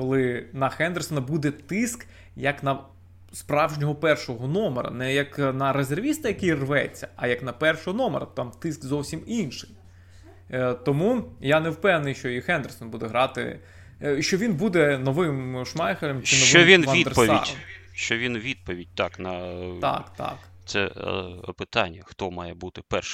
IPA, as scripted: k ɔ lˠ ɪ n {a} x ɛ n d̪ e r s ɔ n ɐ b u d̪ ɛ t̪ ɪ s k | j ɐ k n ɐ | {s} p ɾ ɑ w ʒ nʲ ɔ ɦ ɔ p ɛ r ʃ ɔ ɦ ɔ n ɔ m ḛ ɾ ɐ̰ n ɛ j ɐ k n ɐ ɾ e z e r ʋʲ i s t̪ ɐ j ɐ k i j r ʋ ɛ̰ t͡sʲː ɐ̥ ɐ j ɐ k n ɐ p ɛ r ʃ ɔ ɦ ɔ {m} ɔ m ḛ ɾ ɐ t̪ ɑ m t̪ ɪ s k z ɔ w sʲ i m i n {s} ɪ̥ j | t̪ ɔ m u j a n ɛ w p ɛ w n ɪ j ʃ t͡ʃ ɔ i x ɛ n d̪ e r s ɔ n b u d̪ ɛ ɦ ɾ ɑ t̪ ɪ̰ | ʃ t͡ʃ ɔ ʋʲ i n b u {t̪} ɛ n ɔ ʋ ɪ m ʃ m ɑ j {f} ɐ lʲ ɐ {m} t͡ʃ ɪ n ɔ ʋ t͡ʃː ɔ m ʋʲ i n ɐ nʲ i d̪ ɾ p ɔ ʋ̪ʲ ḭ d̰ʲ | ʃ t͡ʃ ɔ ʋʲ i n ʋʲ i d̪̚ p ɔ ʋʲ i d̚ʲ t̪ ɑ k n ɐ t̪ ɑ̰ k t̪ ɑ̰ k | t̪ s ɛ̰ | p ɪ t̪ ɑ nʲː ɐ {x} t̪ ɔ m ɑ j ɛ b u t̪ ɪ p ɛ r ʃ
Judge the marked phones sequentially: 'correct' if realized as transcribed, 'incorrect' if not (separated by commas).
incorrect, correct, incorrect, incorrect, incorrect, incorrect, correct, correct